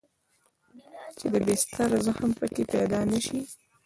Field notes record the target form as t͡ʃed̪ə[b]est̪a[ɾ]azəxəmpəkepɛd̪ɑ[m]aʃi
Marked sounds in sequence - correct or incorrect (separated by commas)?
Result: correct, correct, incorrect